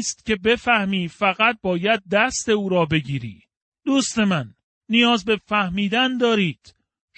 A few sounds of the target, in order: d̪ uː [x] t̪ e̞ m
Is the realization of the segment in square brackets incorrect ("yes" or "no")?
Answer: yes